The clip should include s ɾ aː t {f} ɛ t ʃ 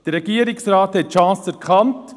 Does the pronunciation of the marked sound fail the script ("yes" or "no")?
yes